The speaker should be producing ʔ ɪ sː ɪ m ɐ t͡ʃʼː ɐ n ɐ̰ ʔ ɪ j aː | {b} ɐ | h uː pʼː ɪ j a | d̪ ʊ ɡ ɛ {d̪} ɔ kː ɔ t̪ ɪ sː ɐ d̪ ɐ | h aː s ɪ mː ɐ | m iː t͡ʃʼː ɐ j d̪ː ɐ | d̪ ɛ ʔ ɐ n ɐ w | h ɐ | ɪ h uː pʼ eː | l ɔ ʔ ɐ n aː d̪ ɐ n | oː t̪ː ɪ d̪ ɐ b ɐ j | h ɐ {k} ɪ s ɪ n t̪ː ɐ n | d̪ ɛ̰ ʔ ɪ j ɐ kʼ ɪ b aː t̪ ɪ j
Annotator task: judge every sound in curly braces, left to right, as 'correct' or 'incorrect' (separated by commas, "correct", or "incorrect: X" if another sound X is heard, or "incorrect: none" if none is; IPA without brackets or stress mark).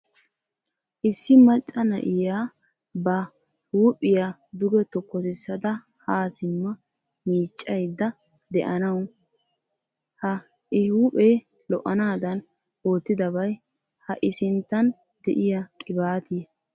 correct, incorrect: t̪, incorrect: ʔ